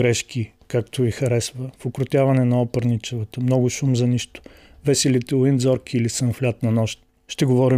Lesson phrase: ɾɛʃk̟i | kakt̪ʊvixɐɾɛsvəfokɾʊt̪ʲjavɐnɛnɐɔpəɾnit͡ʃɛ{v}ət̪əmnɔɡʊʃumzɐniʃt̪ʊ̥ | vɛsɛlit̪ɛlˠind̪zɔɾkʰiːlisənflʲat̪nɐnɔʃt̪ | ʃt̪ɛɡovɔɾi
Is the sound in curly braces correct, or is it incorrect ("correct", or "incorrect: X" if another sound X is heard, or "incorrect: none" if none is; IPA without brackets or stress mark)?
correct